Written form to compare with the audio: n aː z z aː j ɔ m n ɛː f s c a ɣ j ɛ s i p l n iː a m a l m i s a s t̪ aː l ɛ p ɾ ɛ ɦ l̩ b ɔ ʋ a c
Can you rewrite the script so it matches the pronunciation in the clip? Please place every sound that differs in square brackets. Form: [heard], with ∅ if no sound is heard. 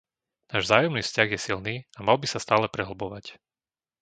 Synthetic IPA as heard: n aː [ʒ] z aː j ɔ m n [iː] f s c a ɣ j ɛ s i [∅] l n iː a m a l [b] i s a s t̪ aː l ɛ p ɾ ɛ ɦ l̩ b ɔ ʋ a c